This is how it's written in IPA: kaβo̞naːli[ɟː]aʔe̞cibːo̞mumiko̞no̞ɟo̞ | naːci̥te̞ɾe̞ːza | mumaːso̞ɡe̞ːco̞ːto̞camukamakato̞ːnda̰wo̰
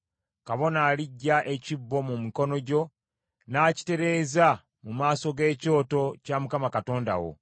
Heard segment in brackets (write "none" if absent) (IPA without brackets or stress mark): ɟː